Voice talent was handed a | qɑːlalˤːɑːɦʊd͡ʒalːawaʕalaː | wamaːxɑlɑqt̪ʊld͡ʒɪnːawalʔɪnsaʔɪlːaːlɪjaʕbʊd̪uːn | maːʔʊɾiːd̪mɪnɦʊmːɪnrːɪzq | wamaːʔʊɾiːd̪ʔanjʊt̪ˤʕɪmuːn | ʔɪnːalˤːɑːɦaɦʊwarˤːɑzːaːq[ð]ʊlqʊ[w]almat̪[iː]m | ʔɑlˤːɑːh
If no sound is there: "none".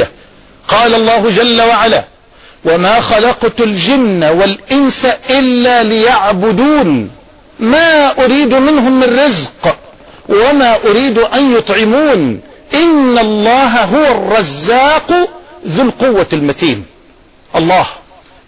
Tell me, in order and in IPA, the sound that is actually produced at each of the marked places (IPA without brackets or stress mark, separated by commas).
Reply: ð, wː, iː